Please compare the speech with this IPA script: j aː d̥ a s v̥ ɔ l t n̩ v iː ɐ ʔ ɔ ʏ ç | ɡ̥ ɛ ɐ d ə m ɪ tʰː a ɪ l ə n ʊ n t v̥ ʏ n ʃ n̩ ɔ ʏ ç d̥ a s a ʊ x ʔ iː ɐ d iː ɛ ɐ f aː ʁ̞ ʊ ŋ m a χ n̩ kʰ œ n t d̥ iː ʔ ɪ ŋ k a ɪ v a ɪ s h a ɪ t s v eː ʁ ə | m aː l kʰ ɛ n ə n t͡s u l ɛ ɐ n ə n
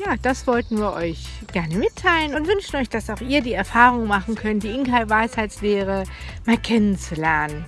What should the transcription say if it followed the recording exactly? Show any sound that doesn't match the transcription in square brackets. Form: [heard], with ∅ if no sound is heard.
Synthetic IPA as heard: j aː d̥ a s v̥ ɔ l t n̩ v iː ɐ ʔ ɔ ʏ ç | ɡ̥ ɛ ɐ [n] ə m ɪ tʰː a ɪ l ə n ʊ n t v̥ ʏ n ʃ n̩ ɔ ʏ ç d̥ a s a ʊ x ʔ iː ɐ d iː ɛ ɐ f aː ʁ̞ ʊ ŋ m a χ n̩ kʰ œ n t d̥ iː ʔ ɪ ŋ k a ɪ v a ɪ s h a ɪ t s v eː ʁ ə | m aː l kʰ ɛ n ə n t͡s u l ɛ ɐ n ə n